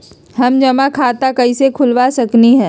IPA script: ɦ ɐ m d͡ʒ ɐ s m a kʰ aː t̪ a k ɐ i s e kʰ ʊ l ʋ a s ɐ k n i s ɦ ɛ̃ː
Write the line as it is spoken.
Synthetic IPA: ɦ ɐ m d͡ʒ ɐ m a kʰ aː t̪ a k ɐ i s e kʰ ʊ l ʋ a s ɐ k n i ɦ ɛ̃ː